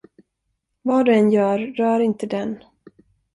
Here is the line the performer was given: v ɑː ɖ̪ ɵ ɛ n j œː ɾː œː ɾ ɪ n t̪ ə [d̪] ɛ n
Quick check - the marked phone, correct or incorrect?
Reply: correct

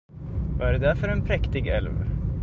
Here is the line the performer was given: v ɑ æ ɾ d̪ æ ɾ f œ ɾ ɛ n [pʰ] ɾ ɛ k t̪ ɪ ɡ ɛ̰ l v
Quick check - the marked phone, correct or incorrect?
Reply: correct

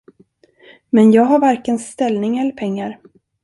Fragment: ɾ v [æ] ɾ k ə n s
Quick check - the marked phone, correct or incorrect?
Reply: incorrect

